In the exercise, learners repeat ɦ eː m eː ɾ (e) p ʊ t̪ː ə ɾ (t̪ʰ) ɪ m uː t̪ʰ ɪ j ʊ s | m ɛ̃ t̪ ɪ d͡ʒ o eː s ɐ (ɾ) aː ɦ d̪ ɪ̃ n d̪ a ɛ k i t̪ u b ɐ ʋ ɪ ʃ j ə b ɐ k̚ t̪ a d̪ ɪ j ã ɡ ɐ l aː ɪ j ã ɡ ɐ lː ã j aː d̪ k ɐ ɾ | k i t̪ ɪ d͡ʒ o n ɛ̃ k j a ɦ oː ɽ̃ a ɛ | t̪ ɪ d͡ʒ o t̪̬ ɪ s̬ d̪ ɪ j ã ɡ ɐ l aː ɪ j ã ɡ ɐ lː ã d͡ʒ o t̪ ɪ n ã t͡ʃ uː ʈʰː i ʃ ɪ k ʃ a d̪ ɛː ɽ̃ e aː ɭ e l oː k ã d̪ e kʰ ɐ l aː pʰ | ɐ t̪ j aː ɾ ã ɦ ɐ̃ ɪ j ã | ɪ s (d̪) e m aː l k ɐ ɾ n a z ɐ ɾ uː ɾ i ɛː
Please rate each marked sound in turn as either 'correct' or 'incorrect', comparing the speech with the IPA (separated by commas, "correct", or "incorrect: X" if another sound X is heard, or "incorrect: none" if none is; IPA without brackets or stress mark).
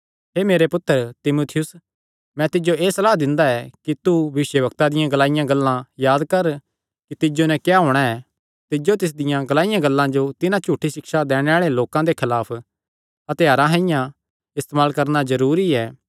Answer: correct, incorrect: t̪, incorrect: l, incorrect: t̪